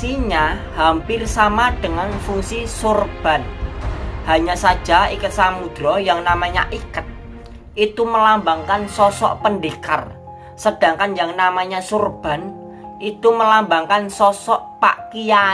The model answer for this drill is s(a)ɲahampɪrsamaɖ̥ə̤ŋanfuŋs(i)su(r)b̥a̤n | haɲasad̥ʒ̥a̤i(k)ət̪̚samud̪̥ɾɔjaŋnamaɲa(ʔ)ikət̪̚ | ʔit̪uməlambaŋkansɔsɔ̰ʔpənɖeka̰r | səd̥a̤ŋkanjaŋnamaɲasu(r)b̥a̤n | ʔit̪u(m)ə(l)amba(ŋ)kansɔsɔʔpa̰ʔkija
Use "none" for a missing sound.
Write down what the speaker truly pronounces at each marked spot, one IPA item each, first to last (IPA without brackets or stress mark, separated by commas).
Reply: i, i, r, k, ʔ, r, m, l, ŋ